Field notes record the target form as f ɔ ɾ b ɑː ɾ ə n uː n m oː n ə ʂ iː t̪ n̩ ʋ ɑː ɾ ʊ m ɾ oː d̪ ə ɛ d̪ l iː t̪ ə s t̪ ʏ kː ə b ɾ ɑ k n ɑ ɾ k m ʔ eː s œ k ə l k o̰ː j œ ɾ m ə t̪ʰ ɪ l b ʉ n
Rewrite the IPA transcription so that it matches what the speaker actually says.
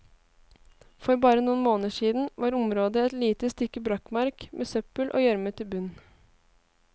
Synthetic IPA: f ɔ ɾ b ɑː ɾ ə n uː n m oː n ə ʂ iː d̪ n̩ ʋ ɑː ɾ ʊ m ɾ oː d̪ ə ɛ t̪ l iː t̪ ə s t̪ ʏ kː ə b ɾ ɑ k m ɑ ɾ k m ʔ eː s œ p ə l ʔ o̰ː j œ ɾ m ə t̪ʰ ɪ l b ʉ n